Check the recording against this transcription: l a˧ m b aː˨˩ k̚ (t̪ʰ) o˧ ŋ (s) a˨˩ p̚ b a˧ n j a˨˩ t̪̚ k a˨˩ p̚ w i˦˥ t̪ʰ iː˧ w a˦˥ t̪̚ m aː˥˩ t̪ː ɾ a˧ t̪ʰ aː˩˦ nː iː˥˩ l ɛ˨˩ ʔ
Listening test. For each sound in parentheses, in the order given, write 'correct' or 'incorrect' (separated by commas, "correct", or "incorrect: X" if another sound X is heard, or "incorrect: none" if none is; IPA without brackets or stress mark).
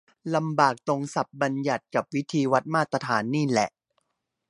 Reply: incorrect: t̪, correct